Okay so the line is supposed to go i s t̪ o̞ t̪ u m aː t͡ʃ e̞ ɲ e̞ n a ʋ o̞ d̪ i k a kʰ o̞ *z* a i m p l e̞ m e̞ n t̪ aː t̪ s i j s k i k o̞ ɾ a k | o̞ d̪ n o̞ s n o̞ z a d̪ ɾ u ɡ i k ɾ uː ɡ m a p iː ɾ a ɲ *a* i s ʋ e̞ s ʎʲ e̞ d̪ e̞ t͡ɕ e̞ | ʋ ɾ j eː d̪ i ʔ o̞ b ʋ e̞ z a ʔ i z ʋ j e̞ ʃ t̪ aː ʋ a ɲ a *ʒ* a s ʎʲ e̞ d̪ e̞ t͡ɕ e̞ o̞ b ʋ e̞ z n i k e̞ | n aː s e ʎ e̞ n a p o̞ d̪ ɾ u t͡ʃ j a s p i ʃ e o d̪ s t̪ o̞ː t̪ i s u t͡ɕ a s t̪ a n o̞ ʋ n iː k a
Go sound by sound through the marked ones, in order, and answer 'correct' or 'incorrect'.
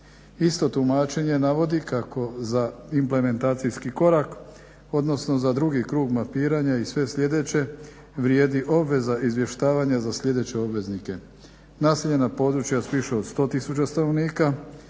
correct, correct, incorrect: z

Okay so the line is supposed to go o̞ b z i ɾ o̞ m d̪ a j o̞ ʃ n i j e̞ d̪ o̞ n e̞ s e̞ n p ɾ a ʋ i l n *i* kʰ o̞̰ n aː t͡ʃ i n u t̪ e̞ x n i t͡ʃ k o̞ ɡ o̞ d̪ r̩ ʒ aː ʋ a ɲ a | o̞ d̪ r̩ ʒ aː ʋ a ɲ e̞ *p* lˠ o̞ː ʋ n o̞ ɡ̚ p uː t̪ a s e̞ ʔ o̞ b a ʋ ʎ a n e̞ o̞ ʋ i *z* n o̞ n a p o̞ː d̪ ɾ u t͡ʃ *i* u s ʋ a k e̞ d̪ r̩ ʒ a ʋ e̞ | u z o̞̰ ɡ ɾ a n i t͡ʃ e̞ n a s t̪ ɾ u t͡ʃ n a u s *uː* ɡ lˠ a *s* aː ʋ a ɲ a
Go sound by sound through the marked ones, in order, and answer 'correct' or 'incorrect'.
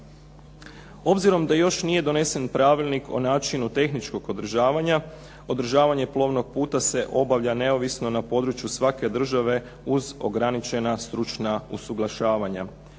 correct, correct, incorrect: s, incorrect: j, incorrect: u, incorrect: ʃ

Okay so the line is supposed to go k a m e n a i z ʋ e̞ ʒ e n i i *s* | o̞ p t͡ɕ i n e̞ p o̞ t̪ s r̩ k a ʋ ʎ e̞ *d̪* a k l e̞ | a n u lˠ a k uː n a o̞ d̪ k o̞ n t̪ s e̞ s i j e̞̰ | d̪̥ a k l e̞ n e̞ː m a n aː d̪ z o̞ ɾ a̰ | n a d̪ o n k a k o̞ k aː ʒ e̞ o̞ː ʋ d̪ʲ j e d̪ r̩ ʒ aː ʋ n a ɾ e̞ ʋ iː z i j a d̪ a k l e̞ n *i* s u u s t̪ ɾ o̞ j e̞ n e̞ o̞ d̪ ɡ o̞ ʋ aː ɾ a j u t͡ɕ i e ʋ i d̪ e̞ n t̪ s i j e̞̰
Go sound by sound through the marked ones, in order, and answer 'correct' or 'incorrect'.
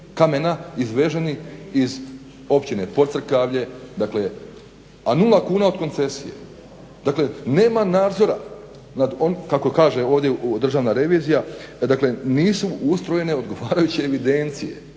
incorrect: z, correct, incorrect: iː

